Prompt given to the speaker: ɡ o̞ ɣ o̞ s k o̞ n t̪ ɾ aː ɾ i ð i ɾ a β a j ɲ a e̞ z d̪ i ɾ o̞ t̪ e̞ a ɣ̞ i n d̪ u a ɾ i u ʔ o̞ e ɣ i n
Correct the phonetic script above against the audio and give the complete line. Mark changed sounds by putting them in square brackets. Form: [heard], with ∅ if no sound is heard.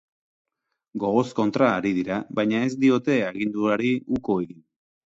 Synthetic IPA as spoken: ɡ o̞ ɣ o̞ s k o̞ n t̪ ɾ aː ɾ i ð i ɾ a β a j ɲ a e̞ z d̪ i [∅] o̞ t̪ e̞ a ɣ̞ i n d̪ u a ɾ i u [k] o̞ e ɣ i n